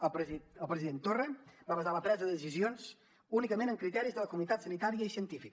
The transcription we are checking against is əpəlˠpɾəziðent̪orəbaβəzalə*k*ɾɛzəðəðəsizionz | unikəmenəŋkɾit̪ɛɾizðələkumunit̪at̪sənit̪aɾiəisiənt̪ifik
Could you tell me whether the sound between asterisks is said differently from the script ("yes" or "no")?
yes